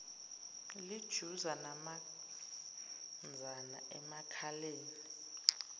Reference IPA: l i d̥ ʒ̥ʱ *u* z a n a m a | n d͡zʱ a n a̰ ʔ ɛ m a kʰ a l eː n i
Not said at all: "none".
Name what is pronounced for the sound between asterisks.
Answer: u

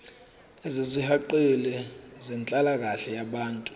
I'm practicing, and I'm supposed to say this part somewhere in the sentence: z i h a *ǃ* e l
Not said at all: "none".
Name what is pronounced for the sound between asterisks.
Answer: ǃ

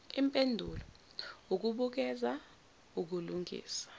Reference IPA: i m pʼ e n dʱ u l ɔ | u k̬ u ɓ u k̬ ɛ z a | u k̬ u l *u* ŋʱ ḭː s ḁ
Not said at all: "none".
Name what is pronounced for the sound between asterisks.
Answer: u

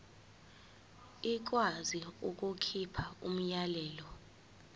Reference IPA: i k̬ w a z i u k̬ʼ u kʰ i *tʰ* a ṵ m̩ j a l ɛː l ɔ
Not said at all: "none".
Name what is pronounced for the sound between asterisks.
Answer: pʰ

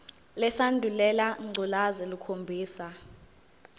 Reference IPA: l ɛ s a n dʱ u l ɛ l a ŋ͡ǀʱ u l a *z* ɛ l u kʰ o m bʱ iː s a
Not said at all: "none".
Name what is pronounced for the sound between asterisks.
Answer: z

